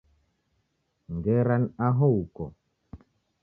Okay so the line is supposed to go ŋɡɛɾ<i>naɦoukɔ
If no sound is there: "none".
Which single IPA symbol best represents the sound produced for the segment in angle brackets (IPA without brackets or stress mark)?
a